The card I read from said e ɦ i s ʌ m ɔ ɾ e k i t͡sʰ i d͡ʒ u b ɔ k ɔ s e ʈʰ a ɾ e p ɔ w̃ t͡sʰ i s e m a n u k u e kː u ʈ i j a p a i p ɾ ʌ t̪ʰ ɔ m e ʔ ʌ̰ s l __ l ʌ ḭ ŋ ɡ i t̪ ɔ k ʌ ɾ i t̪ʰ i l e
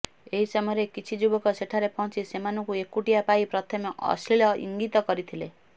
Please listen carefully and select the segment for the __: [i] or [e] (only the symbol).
i